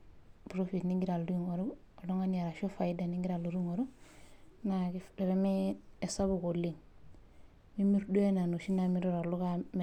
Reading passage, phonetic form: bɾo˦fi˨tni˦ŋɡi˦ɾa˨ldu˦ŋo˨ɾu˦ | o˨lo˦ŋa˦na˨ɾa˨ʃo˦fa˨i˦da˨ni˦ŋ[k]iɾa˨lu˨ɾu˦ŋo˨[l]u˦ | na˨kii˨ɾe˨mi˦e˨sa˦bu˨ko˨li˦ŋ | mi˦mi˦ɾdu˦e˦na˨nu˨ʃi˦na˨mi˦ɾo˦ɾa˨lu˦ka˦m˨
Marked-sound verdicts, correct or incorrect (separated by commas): incorrect, incorrect